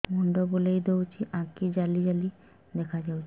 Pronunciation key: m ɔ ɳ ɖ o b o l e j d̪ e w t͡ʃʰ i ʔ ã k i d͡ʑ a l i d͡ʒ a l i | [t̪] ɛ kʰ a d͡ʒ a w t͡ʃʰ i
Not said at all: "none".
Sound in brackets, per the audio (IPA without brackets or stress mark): d̪